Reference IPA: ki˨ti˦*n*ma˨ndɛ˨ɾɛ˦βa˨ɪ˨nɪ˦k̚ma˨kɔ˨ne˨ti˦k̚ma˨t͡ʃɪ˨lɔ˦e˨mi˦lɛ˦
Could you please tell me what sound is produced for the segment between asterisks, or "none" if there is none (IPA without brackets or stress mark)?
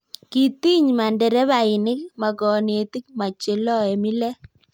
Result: ɲ